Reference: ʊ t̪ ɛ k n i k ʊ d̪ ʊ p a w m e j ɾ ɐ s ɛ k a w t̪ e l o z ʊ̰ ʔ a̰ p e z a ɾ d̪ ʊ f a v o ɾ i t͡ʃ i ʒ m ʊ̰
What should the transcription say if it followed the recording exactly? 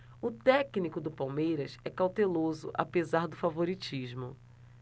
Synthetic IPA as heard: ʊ t̪ ɛ k n i k ʊ d̪ ʊ p a w m e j ɾ ɐ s ɛ k a w t̪ e l o z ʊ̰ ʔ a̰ p e z a ɾ d̪ ʊ f a v o ɾ i t͡ʃ i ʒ m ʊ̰